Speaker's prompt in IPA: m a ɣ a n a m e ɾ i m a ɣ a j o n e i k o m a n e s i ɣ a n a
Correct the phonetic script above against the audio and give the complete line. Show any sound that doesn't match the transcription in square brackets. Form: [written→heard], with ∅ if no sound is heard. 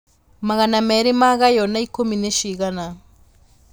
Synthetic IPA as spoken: m a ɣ a n a m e ɾ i m a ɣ a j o n [e→a] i k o m [a→i] n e [s→ʃ] i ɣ a n a